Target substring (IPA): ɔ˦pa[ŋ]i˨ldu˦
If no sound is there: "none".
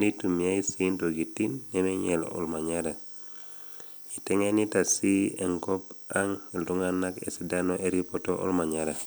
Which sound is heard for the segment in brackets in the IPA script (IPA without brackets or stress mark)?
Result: ŋ